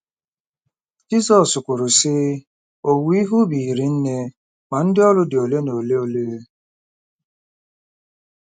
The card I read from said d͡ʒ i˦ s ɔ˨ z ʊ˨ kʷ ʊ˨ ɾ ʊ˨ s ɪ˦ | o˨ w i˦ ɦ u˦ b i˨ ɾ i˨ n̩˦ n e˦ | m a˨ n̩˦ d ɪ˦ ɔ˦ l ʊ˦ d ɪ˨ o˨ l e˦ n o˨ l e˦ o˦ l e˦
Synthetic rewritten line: d͡ʒ i˦ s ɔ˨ s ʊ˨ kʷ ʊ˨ ɾ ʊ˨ s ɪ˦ | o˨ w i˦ ɦ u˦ b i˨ ɾ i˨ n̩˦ n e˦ | m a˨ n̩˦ d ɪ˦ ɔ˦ l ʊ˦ d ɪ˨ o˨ l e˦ n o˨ l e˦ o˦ l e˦